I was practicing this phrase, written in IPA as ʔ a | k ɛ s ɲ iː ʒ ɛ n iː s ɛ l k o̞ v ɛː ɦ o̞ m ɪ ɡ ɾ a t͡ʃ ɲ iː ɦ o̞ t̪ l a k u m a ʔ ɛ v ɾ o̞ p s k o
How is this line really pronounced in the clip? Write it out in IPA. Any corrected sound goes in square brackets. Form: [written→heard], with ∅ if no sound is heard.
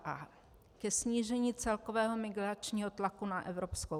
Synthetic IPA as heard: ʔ a | k ɛ s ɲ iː ʒ ɛ [n→ɲ] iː [s→t͡s] ɛ l k o̞ v ɛː ɦ o̞ m ɪ ɡ ɾ a t͡ʃ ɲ iː ɦ o̞ t̪ l a k u [m→n] a ʔ ɛ v ɾ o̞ p s k o